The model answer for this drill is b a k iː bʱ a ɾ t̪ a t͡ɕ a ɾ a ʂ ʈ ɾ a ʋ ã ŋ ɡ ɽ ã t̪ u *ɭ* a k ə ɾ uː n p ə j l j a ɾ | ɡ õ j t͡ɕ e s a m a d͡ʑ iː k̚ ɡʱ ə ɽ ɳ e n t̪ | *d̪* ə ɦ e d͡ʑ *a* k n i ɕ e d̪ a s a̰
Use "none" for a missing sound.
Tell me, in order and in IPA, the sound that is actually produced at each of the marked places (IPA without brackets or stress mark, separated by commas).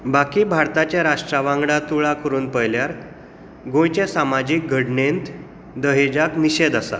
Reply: ɭ, d̪, a